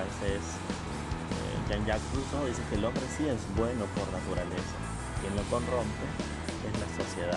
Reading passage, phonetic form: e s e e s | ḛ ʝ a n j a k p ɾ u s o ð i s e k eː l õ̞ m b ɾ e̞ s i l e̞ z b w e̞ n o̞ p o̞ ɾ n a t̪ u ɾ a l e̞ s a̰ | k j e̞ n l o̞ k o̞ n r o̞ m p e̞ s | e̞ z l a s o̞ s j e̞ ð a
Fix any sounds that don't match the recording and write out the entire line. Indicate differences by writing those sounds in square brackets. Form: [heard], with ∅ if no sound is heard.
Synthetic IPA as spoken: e s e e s | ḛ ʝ a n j a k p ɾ u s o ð i s e k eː l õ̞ m b ɾ e̞ s i [∅] e̞ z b w e̞ n o̞ p o̞ ɾ n a t̪ u ɾ a l e̞ s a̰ | k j e̞ n l o̞ k o̞ n r o̞ m p e̞ [∅] | e̞ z l a s o̞ s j e̞ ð a